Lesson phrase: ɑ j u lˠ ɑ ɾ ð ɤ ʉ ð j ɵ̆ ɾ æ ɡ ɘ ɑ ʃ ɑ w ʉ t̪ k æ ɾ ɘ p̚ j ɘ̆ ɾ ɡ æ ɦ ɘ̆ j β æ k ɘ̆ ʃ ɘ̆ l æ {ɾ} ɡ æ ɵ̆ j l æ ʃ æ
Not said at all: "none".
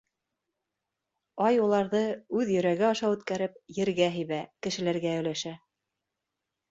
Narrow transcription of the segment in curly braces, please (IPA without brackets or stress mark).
ɾ